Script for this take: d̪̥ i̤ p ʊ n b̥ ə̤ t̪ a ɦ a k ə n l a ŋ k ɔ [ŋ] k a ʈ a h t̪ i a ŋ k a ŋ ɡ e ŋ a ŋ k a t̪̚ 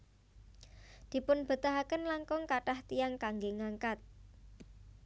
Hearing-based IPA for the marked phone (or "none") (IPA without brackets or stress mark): ŋ